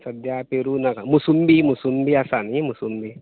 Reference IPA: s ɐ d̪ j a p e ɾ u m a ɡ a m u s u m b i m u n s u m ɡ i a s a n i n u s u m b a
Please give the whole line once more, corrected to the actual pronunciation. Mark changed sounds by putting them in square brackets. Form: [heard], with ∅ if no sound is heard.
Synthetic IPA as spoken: s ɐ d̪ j a p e ɾ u [n] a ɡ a m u s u m b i m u [∅] s u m [b] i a s a n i [m] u s u m b [i]